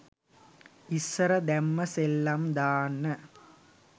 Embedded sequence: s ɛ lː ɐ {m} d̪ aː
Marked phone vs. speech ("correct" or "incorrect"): correct